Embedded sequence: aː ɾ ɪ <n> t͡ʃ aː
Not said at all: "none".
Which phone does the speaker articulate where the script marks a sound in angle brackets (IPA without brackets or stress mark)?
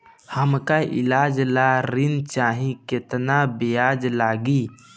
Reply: n